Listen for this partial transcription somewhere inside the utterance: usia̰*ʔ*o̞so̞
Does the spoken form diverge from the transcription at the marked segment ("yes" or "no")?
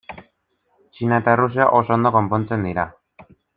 no